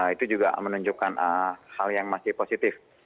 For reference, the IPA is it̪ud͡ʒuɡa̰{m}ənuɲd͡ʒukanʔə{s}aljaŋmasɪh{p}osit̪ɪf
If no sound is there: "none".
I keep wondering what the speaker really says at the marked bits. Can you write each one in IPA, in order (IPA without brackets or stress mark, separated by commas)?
m, h, p